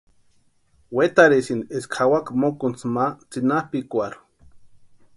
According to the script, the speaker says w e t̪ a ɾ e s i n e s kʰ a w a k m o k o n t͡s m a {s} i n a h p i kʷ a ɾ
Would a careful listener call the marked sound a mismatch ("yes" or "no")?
yes